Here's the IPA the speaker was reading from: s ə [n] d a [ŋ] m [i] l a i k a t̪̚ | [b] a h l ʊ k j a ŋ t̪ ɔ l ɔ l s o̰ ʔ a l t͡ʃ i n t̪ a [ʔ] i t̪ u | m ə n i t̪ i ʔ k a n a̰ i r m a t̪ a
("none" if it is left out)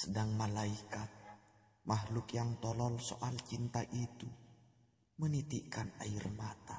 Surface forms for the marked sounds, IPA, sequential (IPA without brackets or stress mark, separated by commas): none, ŋ, a, m, ʔ